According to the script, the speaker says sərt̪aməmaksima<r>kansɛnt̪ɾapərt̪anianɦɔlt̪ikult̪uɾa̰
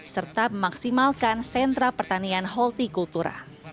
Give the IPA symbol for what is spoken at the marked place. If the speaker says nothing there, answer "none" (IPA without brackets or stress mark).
l